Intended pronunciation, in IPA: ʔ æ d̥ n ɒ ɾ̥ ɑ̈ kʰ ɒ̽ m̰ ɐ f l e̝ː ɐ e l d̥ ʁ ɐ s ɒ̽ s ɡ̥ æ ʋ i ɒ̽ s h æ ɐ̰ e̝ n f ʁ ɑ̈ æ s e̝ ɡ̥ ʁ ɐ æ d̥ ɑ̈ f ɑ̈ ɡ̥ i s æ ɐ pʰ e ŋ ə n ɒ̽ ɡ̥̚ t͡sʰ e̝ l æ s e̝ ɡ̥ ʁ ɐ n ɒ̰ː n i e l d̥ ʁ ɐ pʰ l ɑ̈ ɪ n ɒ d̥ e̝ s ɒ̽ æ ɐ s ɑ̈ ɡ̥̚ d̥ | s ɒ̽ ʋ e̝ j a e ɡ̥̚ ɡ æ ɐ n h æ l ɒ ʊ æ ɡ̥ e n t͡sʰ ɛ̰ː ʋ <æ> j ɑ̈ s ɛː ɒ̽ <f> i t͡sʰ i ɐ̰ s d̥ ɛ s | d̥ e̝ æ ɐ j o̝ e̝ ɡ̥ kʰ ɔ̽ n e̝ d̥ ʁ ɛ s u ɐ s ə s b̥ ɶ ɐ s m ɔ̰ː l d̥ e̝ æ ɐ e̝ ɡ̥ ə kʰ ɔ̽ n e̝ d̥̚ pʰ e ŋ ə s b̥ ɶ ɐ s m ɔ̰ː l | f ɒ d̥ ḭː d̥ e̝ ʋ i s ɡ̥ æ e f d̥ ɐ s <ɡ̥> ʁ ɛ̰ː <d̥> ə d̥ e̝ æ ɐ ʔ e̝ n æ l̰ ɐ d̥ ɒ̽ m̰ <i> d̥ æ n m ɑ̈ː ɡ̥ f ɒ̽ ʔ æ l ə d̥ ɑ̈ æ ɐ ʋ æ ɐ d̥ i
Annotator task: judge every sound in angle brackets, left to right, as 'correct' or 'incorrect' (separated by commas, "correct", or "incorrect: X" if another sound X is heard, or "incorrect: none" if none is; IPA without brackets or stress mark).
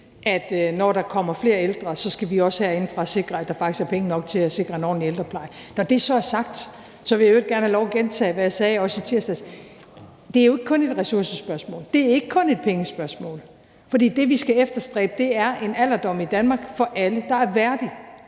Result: correct, incorrect: s, incorrect: d̥, incorrect: b̥, correct